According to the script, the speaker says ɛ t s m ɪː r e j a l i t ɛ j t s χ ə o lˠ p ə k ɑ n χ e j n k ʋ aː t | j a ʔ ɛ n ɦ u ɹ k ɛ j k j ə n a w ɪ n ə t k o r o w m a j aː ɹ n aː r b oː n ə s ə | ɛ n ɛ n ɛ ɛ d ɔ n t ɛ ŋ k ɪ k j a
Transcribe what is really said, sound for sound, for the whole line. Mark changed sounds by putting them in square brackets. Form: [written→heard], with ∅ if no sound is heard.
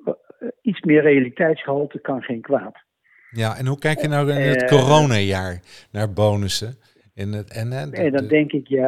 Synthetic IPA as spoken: [ɛ→i] t s m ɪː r e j a l i t ɛ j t s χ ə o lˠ [p→t] ə k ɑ n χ e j n k ʋ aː t | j a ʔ ɛ n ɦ u [ɹ→∅] k ɛ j k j ə n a w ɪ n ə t k o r o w [m→n] a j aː ɹ n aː [r→ɹ] b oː n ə s ə | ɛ n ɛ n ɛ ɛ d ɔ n [t→d] ɛ ŋ k ɪ k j a